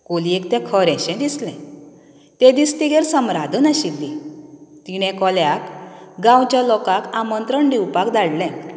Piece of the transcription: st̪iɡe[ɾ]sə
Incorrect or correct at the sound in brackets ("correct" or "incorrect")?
correct